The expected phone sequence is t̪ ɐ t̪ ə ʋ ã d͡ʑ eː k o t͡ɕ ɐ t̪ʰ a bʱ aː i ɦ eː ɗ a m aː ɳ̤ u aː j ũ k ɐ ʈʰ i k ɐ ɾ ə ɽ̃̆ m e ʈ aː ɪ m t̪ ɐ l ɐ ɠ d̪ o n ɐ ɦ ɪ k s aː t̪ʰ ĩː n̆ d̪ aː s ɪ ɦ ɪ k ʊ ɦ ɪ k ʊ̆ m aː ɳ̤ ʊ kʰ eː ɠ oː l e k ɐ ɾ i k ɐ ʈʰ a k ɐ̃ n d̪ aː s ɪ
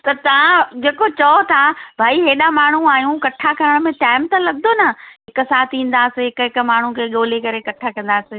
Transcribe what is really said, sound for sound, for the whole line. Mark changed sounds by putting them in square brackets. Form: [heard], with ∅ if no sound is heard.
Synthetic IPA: t̪ ɐ t̪ [ɐ] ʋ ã d͡ʑ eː k o t͡ɕ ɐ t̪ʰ a bʱ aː i ɦ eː ɗ a m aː ɳ̤ u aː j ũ k ɐ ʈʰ [a] k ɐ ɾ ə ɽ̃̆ m [ẽ] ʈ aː ɪ m t̪ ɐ l ɐ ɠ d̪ o n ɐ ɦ ɪ k s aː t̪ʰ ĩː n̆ d̪ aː s ɪ ɦ ɪ k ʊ ɦ ɪ k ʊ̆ m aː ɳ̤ [u] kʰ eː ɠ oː l e k ɐ ɾ [e] k ɐ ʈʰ a k ɐ̃ n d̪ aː s ɪ